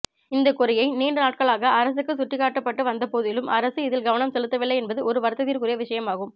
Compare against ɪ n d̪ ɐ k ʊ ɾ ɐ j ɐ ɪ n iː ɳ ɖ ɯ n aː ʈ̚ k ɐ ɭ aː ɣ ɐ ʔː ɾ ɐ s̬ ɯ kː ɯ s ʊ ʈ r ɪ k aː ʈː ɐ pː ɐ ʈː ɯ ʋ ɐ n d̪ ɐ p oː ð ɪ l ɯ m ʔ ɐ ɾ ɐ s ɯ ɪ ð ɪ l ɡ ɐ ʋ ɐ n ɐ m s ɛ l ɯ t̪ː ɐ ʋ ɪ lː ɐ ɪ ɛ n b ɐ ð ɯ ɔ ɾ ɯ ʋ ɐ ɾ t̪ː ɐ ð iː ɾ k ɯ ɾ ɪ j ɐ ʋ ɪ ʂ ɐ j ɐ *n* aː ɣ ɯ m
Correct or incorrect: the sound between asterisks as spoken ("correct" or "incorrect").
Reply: incorrect